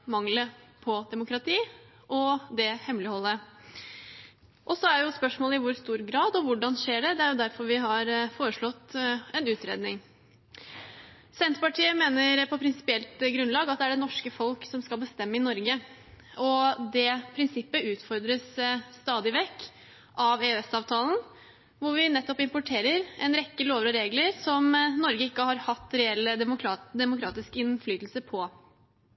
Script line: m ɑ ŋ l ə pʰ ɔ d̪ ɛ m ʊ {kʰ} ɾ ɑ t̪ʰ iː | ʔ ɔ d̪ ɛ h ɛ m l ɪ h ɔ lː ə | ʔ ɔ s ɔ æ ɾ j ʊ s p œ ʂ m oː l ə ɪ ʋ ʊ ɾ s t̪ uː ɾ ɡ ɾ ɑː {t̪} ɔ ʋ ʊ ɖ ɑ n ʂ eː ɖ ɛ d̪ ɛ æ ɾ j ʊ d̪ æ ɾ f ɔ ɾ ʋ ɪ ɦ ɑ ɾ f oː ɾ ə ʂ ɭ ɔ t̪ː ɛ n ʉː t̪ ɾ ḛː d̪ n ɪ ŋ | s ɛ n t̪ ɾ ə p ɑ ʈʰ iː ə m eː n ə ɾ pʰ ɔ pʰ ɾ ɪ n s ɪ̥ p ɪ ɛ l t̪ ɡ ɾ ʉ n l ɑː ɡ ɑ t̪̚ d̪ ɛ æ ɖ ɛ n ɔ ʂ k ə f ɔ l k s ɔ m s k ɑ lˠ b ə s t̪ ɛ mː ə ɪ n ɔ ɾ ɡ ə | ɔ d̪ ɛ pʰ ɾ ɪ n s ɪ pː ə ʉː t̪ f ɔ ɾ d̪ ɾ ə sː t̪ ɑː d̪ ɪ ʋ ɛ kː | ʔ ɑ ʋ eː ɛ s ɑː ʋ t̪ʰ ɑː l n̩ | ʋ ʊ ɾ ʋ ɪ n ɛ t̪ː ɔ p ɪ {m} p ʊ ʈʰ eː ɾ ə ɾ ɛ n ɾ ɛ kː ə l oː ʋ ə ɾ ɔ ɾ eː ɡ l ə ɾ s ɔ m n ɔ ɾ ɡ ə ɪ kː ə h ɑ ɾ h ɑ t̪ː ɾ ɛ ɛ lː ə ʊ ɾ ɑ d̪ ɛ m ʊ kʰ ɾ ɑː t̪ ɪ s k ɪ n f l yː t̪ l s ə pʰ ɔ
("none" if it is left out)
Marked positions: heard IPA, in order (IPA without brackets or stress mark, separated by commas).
k, d̪, m